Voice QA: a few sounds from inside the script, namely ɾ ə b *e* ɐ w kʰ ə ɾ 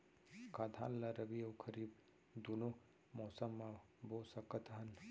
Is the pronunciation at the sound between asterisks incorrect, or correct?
incorrect